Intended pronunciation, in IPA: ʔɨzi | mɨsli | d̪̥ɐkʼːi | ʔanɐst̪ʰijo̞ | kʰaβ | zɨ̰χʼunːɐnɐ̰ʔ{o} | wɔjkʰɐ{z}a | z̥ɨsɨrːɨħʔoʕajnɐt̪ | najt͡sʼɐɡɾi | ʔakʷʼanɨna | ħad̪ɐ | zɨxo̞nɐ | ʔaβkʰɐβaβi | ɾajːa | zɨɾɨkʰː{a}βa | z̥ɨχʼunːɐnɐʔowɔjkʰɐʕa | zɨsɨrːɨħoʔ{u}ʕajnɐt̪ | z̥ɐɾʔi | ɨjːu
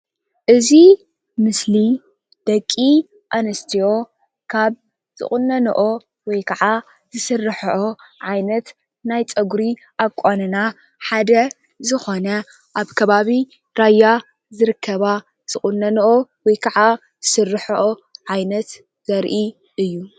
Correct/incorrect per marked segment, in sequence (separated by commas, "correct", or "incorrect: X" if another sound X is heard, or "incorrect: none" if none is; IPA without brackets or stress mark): correct, incorrect: ʕ, incorrect: ɐ, incorrect: o